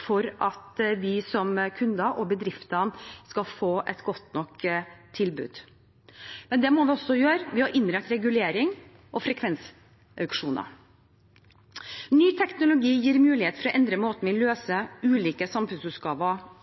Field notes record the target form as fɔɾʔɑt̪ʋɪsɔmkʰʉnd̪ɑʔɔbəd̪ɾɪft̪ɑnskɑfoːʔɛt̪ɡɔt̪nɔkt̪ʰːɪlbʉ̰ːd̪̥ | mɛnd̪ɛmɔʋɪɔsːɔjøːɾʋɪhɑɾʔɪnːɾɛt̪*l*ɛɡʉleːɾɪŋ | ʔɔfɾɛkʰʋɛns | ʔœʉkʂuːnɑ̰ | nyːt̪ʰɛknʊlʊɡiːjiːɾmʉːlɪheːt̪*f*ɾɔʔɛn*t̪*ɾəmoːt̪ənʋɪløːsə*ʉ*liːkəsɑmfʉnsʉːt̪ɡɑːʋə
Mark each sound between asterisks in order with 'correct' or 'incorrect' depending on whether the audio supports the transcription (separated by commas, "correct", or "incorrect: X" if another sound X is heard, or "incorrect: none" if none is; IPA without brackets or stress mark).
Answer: incorrect: ɾ, correct, incorrect: d̪, incorrect: ʉː